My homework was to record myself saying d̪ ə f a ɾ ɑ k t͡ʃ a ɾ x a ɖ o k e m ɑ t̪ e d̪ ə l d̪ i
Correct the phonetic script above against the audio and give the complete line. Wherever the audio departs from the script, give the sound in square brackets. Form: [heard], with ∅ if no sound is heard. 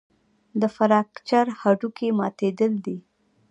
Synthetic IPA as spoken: d̪ ə f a ɾ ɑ k t͡ʃ a ɾ [h] a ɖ [u] k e m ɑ t̪ e d̪ ə l d̪ i